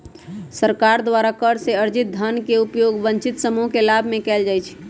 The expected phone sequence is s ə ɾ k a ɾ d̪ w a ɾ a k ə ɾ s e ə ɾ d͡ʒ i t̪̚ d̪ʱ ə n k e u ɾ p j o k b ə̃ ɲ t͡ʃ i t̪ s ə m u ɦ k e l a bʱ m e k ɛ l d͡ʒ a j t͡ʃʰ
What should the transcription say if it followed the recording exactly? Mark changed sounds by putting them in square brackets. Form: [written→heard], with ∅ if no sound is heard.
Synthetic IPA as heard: s ə ɾ k a ɾ d̪ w a ɾ a k ə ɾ s e ə ɾ d͡ʒ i t̪̚ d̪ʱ ə n k e u [ɾ→∅] p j o [k→ɡ] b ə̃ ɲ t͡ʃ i t̪ s ə m u ɦ k e l a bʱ m e k ɛ l d͡ʒ a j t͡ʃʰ